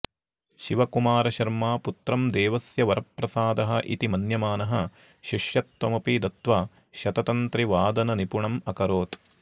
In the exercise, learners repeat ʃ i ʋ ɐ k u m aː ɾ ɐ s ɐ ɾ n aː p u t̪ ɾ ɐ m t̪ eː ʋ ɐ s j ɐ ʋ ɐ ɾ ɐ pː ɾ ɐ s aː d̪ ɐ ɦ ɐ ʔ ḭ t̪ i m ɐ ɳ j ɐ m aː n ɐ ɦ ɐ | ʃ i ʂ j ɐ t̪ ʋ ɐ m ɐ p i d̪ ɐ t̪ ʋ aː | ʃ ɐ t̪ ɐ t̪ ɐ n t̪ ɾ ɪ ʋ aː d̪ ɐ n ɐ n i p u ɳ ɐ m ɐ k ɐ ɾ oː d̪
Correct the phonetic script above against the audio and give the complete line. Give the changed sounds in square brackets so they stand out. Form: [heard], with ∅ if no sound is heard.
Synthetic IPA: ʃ i ʋ ɐ k u m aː ɾ ɐ [ʃ] ɐ ɾ [m] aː p u t̪ ɾ ɐ m [d̪] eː ʋ ɐ s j ɐ ʋ ɐ ɾ ɐ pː ɾ ɐ s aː d̪ ɐ ɦ ɐ ʔ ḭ t̪ i m ɐ [n] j ɐ m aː n ɐ ɦ ɐ | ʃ i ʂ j ɐ t̪ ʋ ɐ m ɐ p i d̪ ɐ t̪ ʋ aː | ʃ ɐ t̪ ɐ t̪ ɐ n t̪ ɾ [i] ʋ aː d̪ ɐ n ɐ n i p u ɳ ɐ m ɐ k ɐ ɾ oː [t̪]

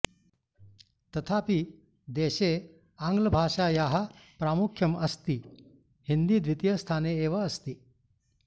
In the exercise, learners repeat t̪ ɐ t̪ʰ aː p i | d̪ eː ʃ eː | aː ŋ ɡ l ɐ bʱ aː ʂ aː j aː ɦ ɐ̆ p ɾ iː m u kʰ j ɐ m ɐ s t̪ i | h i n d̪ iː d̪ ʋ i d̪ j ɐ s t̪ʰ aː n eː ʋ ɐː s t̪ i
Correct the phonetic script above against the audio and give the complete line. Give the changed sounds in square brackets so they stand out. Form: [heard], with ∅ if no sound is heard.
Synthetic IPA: t̪ ɐ t̪ʰ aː p i | d̪ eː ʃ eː | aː ŋ ɡ l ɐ bʱ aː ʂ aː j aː ɦ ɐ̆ p ɾ [aː] m u kʰ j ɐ m ɐ s t̪ i | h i n d̪ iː d̪ ʋ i [t̪] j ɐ s t̪ʰ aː n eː ʋ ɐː s t̪ i

